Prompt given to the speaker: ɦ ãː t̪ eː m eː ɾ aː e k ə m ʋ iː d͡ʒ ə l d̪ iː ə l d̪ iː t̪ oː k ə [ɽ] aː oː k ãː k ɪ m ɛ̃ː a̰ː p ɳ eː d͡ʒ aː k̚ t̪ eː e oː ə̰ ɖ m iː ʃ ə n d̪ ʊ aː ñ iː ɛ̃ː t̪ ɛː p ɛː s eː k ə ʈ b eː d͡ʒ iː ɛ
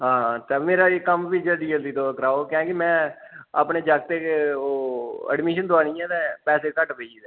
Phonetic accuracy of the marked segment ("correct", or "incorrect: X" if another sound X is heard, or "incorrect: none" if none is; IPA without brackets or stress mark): incorrect: ɾ